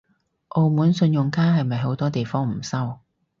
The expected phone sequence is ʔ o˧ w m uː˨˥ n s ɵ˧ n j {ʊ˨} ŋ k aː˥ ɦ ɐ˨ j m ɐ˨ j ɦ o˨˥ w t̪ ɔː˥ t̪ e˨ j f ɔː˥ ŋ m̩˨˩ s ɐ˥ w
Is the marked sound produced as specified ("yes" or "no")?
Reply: yes